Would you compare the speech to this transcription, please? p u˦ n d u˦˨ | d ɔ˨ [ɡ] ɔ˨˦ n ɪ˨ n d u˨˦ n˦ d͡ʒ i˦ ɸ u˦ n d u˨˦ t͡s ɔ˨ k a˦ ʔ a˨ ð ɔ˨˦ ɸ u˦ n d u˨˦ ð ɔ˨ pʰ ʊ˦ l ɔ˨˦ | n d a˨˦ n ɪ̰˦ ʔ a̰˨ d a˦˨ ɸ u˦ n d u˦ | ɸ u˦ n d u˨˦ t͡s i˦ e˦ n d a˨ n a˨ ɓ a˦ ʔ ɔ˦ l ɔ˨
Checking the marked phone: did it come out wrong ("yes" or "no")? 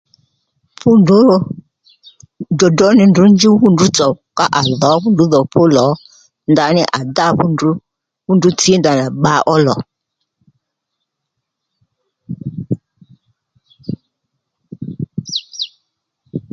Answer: yes